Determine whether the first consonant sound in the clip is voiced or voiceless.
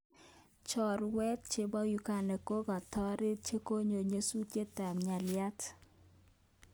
voiceless